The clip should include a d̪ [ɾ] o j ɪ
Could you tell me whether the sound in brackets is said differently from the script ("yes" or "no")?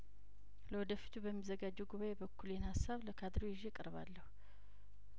no